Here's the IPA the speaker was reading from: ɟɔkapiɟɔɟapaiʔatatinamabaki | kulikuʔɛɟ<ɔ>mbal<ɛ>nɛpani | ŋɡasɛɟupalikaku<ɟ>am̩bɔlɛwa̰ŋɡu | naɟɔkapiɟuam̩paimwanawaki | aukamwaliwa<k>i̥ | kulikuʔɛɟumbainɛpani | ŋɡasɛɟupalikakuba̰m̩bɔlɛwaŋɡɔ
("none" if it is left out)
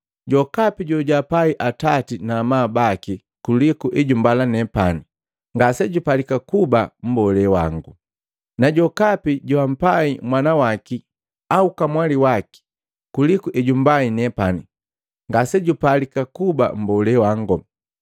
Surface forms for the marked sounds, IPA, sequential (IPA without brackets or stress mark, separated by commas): u, a, b, k